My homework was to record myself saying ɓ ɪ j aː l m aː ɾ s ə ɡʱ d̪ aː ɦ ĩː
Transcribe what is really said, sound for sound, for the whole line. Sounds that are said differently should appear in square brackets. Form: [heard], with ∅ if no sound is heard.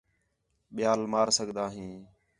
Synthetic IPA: ɓ ɪ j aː l m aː ɾ s ə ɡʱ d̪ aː ɦ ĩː

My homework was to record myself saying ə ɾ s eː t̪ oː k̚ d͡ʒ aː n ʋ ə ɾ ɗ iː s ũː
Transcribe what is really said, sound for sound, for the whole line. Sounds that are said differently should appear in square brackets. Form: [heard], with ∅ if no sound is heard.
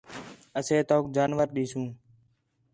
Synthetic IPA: ə [∅] s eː t̪ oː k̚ d͡ʒ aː n ʋ ə ɾ ɗ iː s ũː

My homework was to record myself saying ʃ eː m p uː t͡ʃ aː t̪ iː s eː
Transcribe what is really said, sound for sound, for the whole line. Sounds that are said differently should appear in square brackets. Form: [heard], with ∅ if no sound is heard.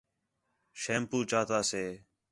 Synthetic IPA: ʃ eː m p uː t͡ʃ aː t̪ [aː] s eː

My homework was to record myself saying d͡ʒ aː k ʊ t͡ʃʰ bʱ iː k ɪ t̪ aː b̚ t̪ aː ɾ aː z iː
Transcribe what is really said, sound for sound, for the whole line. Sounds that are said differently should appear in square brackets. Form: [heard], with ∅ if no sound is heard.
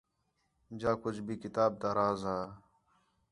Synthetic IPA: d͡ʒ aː k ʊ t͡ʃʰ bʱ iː k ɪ t̪ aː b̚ t̪ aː ɾ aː z [aː]

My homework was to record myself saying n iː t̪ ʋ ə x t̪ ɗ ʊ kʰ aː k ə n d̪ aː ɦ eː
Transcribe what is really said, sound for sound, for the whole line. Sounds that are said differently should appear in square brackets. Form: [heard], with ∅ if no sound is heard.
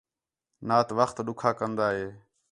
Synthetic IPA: n [aː] t̪ ʋ ə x t̪ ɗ ʊ kʰ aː k ə n d̪ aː ɦ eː

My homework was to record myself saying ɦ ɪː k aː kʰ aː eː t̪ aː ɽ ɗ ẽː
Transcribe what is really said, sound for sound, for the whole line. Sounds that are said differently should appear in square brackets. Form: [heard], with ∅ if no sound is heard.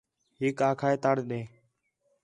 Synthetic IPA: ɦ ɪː k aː kʰ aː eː t̪ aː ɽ ɗ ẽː

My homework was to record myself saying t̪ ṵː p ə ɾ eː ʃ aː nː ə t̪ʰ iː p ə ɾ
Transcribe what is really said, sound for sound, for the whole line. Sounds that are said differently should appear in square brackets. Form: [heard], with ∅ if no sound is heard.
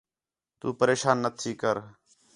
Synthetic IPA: t̪ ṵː p ə ɾ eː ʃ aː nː ə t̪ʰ iː [k] ə ɾ

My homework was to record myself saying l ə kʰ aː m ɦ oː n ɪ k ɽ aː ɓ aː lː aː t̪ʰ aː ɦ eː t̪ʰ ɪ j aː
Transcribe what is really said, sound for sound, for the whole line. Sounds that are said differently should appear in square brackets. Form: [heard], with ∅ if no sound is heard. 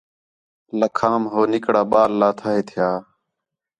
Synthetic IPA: l ə kʰ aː m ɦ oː n ɪ k ɽ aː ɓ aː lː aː t̪ʰ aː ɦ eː t̪ʰ ɪ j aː

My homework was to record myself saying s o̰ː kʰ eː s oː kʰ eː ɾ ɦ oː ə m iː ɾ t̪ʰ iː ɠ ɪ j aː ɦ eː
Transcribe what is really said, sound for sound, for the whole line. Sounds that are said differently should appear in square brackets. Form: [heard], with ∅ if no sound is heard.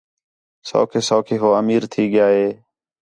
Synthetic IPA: s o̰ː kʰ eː s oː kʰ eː [∅] ɦ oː ə m iː ɾ t̪ʰ iː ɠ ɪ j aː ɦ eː

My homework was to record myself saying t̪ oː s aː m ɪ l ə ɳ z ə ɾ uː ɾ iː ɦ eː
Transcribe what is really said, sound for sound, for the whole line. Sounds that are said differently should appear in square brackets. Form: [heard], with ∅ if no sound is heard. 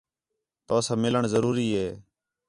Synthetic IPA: t̪ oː s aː m ɪ l ə ɳ z ə ɾ uː ɾ iː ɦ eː

